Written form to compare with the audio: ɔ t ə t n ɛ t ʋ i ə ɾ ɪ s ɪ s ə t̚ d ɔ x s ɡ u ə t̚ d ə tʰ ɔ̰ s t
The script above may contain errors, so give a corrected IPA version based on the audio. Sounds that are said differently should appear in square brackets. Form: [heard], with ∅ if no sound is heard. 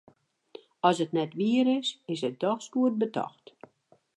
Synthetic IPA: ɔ [s] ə t n ɛ t ʋ i ə ɾ ɪ s ɪ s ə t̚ d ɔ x s [k] u ə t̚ [b] ə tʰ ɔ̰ [x] t